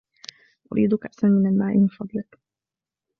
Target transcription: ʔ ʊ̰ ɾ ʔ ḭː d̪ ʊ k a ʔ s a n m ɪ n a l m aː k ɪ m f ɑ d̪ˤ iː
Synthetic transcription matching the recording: ʔ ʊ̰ ɾ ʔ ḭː d̪ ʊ k a ʔ s a n m ɪ n a l m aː ʔ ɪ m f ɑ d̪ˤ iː